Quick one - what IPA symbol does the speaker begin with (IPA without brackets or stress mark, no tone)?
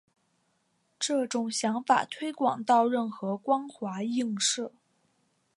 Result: ʈ͡ʂ